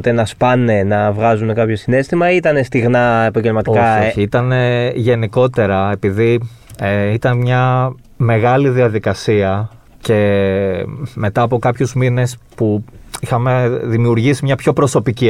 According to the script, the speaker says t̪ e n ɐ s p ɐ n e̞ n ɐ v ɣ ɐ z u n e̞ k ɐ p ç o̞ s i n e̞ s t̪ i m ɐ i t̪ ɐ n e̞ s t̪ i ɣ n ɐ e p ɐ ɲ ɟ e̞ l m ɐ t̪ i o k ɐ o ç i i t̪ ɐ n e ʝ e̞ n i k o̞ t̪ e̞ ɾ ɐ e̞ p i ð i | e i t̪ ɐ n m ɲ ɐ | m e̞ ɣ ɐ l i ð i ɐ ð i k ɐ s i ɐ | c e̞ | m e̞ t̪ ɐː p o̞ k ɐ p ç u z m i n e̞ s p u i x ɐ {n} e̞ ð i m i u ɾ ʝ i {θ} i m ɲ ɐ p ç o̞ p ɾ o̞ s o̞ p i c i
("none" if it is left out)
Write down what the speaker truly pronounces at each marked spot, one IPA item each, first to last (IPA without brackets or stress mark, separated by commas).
m, s